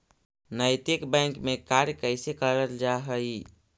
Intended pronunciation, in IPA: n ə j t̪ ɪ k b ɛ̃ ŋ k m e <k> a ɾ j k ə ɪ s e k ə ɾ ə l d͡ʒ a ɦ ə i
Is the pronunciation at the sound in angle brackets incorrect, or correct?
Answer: correct